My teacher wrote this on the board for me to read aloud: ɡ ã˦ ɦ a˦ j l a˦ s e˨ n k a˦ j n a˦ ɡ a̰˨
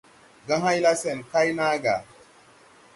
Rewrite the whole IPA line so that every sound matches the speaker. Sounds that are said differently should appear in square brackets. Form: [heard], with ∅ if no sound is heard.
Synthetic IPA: ɡ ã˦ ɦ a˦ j l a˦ s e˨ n k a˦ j n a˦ ɡ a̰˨